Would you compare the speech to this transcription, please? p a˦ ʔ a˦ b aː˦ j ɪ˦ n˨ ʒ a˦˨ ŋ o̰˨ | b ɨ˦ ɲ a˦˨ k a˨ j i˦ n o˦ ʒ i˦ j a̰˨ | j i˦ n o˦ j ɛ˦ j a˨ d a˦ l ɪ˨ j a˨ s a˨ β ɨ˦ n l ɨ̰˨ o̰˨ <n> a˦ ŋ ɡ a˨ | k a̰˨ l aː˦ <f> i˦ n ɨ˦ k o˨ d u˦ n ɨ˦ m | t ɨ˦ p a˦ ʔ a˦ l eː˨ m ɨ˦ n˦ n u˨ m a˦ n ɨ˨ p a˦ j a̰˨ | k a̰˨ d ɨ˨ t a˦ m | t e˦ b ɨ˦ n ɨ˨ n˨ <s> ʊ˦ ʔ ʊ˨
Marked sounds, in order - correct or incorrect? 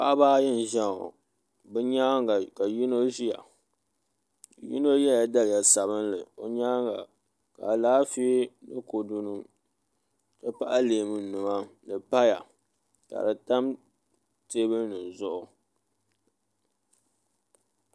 incorrect: ɲ, correct, incorrect: z

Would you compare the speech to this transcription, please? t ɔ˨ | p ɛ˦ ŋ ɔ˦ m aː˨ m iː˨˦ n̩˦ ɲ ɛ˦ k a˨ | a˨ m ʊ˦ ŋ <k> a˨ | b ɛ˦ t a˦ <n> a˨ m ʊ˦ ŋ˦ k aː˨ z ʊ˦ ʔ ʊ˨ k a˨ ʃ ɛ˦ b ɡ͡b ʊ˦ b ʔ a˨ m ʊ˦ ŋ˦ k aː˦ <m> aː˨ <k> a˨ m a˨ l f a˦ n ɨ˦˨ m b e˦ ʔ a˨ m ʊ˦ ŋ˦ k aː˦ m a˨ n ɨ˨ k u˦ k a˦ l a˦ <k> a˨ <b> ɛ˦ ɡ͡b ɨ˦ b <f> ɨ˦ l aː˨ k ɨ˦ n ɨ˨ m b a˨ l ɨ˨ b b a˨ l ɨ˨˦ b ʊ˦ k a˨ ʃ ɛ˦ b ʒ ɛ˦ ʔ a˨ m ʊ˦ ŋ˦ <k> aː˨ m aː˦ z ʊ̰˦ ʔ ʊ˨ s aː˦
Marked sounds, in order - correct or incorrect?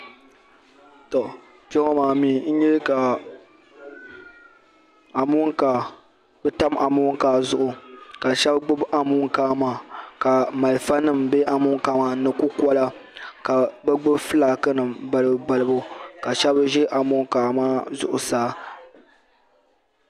correct, incorrect: m, correct, correct, correct, correct, correct, correct

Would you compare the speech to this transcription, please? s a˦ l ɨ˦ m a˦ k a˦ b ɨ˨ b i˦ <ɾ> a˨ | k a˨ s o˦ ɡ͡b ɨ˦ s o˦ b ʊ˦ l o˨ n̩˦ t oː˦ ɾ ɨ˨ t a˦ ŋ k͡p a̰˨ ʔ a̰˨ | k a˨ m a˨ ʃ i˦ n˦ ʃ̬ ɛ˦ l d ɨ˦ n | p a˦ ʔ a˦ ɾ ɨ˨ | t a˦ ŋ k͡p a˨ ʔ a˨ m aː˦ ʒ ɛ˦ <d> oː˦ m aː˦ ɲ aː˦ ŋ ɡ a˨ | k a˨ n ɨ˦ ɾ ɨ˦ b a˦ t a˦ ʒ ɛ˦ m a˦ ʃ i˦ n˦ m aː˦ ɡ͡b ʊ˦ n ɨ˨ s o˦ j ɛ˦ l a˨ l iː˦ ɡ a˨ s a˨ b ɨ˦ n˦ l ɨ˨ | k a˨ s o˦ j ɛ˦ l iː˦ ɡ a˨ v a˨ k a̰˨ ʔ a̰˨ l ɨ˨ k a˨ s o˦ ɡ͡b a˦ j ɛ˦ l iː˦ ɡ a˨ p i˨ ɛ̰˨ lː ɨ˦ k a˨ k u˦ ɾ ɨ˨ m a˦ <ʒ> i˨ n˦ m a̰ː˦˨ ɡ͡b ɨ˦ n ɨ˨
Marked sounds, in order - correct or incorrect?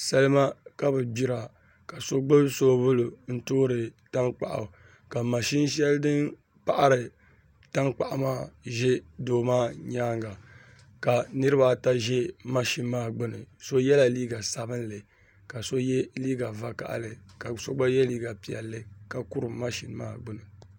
correct, correct, incorrect: ʃ

